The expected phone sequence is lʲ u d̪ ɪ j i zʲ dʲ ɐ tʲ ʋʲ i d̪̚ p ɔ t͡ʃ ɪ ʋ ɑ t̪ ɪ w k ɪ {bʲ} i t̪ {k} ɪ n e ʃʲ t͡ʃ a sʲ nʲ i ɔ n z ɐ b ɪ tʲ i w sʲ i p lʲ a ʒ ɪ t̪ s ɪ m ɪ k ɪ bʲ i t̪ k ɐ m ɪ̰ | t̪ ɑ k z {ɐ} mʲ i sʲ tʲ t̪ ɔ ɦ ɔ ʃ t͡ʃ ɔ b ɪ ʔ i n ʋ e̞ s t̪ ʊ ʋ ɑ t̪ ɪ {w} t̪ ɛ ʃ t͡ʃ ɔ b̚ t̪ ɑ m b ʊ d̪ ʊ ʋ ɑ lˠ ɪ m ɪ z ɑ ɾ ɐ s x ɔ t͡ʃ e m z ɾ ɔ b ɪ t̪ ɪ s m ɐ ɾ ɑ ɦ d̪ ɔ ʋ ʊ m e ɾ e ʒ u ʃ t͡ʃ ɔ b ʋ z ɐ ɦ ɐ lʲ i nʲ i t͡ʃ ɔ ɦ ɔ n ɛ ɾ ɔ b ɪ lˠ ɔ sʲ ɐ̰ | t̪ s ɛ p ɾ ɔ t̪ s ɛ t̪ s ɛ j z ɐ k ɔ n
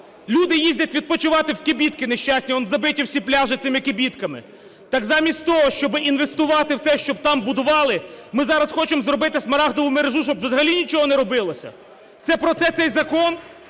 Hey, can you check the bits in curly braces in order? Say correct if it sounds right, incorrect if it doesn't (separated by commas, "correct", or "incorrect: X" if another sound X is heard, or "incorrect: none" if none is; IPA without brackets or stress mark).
correct, correct, incorrect: ɑ, correct